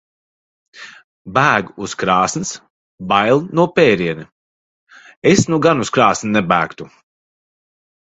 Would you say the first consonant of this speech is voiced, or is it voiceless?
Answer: voiced